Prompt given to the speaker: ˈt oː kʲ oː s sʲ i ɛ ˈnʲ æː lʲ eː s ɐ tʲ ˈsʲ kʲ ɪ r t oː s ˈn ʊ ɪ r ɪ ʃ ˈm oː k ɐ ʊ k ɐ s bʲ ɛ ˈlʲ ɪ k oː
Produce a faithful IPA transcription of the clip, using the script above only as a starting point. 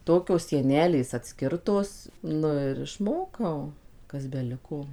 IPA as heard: ˈt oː kʲ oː s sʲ i ɛ ˈnʲ æː lʲ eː s ɐ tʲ ˈsʲ kʲ ɪ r t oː s ˈn ʊ ɪ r ɪ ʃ ˈm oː k ɐ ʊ k ɐ s bʲ ɛ ˈlʲ ɪ k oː